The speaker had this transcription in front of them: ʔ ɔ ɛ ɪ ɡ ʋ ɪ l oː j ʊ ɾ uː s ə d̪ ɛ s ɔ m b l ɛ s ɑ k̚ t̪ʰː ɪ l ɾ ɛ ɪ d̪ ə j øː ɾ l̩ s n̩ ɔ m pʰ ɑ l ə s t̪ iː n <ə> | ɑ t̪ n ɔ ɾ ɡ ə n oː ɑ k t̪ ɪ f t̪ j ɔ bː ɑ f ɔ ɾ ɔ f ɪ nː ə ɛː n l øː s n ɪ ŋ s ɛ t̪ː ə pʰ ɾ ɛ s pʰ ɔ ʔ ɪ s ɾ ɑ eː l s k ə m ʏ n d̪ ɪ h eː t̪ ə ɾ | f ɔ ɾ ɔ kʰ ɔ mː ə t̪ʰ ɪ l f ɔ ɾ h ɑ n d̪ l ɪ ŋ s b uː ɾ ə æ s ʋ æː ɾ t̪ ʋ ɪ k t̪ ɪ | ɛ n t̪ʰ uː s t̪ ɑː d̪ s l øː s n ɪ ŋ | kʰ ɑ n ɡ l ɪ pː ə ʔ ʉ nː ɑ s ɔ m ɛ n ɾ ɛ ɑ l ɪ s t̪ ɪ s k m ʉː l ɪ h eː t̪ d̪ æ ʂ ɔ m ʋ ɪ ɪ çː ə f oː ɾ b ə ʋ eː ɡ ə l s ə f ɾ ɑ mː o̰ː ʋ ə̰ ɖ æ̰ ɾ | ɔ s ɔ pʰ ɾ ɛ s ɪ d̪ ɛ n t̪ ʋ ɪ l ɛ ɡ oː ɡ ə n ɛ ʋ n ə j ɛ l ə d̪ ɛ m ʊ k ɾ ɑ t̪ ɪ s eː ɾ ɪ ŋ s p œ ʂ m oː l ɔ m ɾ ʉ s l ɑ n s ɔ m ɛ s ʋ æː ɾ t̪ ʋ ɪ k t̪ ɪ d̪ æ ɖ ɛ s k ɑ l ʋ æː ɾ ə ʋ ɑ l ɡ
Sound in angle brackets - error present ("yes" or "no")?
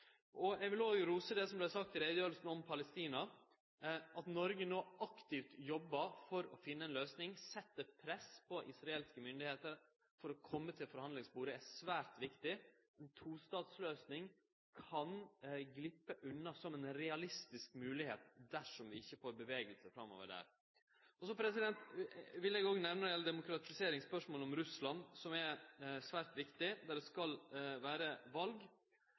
yes